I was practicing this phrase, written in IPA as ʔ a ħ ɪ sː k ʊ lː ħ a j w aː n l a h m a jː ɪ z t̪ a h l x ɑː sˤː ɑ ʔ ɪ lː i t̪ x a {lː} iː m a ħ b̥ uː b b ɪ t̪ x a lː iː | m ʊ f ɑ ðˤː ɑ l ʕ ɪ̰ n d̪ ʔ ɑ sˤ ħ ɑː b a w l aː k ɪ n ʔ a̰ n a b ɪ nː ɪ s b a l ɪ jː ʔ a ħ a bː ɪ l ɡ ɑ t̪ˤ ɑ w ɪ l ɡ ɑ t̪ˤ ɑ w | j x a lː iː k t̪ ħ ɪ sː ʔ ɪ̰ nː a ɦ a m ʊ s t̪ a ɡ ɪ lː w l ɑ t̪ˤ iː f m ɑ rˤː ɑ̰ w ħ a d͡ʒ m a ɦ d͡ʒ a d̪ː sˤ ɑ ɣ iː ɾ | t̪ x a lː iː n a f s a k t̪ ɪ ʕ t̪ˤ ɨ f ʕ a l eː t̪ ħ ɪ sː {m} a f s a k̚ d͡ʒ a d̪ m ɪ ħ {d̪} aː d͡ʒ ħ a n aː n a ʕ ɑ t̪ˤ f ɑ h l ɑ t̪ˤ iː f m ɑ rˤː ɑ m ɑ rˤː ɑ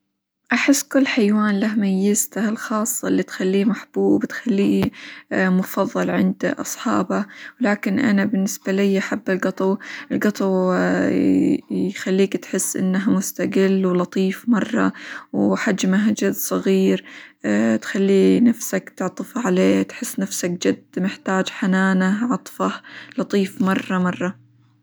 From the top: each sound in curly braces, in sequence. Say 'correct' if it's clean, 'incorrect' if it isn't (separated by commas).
correct, incorrect, incorrect